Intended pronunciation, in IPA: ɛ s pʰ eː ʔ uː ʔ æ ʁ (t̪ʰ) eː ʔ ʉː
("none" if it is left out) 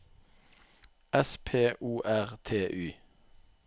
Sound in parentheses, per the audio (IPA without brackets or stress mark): t̪ʰ